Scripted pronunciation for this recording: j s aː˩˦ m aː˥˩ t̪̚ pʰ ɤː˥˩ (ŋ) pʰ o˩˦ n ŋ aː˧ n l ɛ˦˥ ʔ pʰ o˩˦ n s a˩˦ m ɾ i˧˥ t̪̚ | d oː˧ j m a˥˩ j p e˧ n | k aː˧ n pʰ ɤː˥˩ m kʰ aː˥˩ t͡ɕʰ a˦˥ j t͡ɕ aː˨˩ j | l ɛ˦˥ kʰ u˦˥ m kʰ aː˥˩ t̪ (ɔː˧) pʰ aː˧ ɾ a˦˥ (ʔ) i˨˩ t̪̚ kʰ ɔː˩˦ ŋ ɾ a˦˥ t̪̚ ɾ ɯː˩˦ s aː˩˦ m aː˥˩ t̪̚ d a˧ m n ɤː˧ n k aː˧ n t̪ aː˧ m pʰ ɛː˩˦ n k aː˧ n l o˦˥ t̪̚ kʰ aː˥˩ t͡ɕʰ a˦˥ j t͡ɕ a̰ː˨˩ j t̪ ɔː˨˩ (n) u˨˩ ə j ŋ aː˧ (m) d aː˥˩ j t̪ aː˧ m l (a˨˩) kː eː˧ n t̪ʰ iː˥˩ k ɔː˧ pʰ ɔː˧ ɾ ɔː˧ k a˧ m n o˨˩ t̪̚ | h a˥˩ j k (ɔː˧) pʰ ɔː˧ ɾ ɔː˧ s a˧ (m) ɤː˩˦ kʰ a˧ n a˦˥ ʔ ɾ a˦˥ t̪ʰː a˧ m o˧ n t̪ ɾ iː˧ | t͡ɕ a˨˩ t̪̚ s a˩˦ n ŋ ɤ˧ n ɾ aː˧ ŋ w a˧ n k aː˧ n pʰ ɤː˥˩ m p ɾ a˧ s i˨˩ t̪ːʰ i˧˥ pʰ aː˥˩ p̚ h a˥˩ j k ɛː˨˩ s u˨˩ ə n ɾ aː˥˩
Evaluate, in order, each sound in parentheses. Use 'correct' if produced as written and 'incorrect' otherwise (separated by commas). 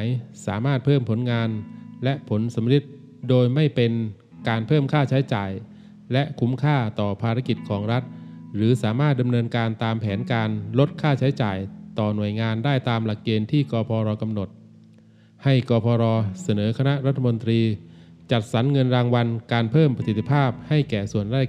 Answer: incorrect, incorrect, incorrect, correct, incorrect, correct, correct, incorrect